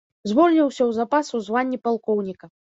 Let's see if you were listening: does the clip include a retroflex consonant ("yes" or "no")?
no